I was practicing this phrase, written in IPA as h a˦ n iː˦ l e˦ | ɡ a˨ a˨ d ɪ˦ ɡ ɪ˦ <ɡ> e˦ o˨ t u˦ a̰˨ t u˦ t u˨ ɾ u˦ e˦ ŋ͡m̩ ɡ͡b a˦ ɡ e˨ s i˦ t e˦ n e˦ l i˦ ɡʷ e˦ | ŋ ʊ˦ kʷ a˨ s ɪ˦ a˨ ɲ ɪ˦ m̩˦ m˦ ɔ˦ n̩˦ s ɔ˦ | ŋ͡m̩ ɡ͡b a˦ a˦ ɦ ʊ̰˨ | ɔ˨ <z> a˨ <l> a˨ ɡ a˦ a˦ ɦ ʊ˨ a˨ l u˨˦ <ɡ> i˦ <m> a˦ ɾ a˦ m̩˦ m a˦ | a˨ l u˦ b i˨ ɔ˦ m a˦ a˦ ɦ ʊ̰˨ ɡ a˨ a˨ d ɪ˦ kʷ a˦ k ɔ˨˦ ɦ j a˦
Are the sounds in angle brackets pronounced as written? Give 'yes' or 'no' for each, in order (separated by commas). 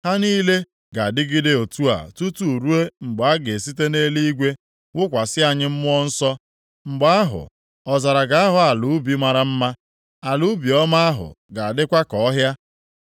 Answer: no, yes, no, no, yes